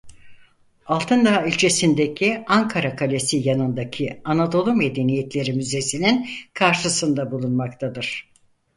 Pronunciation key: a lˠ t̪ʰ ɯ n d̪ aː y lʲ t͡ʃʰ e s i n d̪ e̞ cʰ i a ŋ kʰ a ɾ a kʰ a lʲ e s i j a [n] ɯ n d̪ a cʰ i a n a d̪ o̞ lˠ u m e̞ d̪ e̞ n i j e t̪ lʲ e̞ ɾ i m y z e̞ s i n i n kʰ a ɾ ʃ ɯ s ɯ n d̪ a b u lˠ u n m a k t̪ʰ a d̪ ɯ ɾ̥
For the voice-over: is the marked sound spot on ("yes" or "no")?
yes